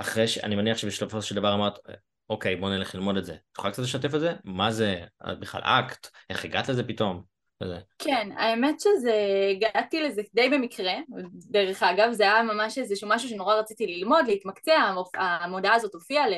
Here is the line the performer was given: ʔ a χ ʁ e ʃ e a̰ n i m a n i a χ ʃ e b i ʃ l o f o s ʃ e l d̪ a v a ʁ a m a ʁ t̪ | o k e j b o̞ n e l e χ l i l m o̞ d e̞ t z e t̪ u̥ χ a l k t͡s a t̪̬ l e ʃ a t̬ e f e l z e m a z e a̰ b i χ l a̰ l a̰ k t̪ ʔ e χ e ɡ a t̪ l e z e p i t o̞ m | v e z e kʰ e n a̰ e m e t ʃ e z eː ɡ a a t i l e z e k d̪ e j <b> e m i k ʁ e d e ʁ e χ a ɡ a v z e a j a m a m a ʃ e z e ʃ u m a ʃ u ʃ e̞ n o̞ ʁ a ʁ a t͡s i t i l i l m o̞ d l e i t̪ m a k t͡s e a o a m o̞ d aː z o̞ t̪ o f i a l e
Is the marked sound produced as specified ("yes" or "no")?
yes